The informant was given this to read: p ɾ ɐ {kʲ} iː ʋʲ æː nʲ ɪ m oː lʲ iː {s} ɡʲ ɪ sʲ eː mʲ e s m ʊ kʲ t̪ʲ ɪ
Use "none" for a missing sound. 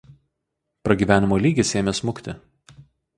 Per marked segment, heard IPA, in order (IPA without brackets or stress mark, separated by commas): ɡʲ, none